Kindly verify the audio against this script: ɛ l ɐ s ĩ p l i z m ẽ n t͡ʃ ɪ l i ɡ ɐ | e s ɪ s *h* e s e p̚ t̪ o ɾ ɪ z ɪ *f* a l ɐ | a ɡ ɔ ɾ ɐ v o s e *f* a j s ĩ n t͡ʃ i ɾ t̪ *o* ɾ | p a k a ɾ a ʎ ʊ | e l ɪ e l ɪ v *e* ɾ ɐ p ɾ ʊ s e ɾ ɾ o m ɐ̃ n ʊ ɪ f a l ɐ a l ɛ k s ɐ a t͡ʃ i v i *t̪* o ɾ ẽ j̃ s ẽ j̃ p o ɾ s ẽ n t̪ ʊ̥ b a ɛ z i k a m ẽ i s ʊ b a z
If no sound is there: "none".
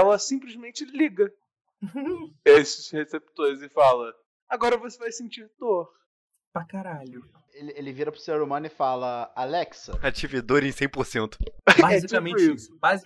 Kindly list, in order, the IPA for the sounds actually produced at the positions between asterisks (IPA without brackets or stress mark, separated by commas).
h, f, v, o, i, d̪